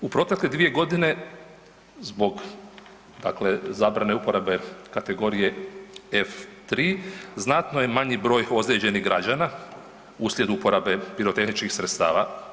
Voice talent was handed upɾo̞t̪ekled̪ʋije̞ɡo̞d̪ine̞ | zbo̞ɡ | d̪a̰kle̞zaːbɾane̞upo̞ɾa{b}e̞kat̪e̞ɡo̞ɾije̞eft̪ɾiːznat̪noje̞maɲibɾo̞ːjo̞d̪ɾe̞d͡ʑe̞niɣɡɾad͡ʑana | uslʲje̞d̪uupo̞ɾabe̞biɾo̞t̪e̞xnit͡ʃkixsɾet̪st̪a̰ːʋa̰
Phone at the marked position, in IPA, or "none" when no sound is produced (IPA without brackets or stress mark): b